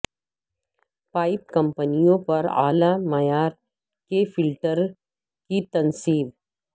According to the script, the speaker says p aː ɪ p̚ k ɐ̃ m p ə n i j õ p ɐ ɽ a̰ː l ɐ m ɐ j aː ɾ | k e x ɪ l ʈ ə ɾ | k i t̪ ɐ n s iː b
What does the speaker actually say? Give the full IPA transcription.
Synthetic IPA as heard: p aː ɪ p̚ k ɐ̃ m p ə n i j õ p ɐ ɾ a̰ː l a m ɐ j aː ɾ | k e f ɪ l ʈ ə ɾ | k i t̪ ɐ n s iː b